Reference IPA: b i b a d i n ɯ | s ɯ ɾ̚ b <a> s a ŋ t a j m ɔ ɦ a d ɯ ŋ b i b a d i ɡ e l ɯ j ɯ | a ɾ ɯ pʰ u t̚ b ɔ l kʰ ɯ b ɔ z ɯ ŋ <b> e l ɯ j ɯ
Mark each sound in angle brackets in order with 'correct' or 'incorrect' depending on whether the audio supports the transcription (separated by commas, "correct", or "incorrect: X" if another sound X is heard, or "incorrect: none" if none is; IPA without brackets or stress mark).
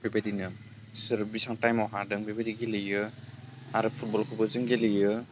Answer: incorrect: i, incorrect: ɡ